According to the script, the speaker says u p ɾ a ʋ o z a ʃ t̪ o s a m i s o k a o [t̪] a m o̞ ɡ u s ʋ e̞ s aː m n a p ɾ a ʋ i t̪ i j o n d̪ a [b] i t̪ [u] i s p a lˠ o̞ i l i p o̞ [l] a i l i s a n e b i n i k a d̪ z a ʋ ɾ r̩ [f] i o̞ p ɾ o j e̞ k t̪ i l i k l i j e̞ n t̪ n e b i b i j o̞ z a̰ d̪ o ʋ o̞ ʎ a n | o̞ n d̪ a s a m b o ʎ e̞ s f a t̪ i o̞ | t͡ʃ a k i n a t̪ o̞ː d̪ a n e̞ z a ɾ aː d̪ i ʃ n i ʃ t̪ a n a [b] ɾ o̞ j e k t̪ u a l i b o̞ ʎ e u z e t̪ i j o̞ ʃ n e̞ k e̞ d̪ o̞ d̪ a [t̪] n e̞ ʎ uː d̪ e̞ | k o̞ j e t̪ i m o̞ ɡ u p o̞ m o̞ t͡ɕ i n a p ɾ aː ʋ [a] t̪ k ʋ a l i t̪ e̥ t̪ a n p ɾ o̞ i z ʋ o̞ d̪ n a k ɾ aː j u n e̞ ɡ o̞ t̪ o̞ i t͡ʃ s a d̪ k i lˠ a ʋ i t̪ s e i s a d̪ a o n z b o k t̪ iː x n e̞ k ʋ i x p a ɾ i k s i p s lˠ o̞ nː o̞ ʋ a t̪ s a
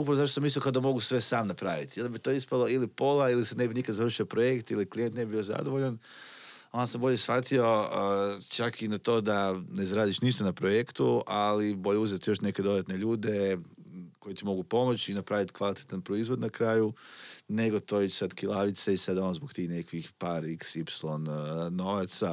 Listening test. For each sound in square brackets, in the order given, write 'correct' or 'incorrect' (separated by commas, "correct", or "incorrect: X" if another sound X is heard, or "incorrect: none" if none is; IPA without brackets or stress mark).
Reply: incorrect: d̪, correct, incorrect: o, correct, incorrect: ʃ, incorrect: p, correct, incorrect: i